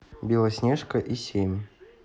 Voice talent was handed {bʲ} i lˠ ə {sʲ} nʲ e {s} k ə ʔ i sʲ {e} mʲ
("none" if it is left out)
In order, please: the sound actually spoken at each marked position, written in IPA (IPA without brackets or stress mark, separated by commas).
bʲ, sʲ, ʂ, e